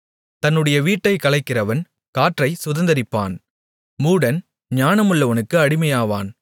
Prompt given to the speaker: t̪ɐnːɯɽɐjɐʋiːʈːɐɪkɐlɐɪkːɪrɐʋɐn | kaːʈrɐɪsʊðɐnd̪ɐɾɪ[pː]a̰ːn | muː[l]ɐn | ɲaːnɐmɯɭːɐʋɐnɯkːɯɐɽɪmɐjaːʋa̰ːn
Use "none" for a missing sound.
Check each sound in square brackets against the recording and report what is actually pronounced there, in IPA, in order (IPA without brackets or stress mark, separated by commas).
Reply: pː, ɽ